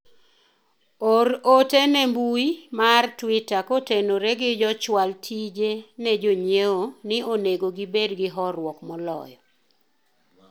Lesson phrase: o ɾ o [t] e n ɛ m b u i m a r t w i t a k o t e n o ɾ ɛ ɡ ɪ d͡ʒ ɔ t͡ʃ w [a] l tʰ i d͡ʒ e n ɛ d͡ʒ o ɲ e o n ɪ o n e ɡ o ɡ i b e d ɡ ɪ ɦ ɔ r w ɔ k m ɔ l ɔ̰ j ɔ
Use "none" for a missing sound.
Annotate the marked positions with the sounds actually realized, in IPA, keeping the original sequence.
t, a

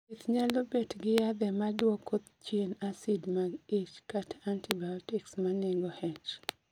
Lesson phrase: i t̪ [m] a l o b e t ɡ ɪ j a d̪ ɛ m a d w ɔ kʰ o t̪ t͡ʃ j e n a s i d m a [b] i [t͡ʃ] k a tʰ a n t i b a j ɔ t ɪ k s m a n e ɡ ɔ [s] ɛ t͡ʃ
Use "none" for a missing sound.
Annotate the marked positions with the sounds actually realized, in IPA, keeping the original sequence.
ɲ, ɡ, t͡ʃ, h

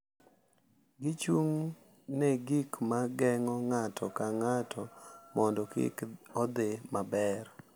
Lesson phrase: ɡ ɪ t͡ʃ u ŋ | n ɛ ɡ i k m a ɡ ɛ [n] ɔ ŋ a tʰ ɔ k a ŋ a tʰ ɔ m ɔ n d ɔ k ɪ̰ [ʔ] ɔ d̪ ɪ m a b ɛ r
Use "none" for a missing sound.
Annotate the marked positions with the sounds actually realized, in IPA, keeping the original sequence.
ŋ, k

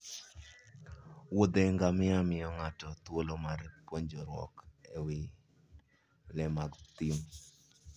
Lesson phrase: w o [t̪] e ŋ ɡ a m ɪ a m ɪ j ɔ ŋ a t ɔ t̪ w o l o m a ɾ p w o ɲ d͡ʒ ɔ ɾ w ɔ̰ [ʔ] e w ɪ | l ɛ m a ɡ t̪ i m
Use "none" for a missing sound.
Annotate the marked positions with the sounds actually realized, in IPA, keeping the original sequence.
d̪, k

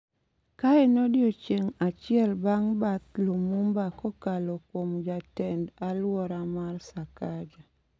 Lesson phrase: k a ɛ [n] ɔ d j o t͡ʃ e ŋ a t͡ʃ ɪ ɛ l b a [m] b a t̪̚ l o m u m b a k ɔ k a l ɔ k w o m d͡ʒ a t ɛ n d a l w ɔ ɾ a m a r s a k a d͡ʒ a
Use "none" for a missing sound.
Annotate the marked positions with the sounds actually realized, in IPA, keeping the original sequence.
n, ŋ

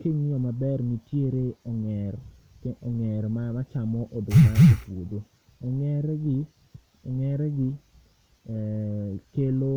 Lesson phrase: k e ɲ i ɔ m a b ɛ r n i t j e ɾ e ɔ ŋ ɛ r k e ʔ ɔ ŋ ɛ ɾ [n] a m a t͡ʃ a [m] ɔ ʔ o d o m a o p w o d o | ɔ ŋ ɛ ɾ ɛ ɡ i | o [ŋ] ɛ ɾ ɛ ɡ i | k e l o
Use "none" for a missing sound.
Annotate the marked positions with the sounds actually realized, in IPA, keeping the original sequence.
m, m, ŋ

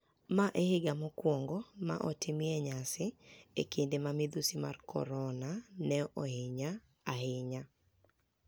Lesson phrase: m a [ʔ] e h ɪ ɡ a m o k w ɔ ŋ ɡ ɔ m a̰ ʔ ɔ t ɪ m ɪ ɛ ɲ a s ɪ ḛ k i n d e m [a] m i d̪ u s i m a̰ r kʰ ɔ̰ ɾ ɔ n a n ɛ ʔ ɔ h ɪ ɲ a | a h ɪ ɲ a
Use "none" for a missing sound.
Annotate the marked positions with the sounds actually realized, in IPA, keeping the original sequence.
ʔ, a

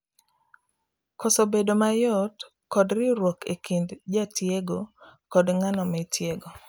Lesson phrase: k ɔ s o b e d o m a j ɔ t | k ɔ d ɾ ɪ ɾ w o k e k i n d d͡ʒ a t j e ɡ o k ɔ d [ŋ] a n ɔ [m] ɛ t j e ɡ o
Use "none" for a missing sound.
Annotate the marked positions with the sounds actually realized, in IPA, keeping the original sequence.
ŋ, m

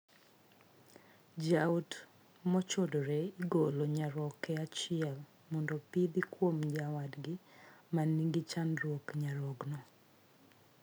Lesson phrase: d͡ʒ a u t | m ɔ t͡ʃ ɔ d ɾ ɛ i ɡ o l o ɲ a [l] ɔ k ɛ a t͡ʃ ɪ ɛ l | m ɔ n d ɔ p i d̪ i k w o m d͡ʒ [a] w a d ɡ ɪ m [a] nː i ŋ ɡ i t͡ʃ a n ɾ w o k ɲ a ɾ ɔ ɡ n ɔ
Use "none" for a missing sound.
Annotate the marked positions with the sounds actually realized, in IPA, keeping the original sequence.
ɾ, a, a

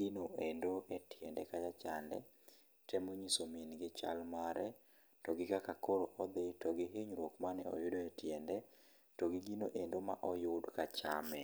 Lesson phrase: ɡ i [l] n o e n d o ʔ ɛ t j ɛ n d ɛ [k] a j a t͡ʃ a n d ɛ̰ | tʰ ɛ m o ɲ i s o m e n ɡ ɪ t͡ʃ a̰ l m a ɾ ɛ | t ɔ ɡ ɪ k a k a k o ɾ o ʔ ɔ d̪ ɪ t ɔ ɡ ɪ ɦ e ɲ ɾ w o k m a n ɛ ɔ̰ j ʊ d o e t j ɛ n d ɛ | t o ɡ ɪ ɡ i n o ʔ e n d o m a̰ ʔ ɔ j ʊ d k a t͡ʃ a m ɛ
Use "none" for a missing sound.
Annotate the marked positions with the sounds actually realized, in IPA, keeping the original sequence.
none, k

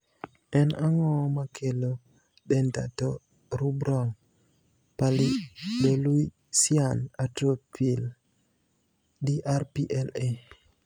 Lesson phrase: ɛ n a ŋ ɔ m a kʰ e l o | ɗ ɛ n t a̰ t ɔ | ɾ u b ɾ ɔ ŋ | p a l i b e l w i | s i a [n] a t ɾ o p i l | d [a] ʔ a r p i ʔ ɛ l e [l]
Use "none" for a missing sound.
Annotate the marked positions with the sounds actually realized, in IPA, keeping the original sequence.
n, i, none

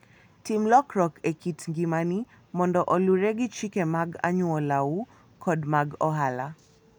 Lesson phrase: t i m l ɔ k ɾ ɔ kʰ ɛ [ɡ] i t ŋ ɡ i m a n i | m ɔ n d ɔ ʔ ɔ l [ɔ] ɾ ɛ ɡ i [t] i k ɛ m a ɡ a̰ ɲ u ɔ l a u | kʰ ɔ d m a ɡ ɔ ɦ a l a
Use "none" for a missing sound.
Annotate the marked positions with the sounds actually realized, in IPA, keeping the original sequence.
k, u, t͡ʃ

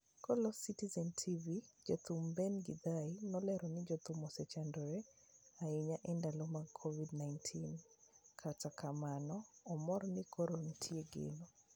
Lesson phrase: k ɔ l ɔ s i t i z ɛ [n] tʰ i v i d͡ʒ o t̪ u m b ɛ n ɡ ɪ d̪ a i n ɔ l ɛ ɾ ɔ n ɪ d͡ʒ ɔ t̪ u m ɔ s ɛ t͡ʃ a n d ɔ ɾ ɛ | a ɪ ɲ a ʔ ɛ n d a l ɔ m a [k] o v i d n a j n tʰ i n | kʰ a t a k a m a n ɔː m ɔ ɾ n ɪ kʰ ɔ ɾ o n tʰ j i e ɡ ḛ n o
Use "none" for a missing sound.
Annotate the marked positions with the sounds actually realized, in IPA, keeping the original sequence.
n, kʰ

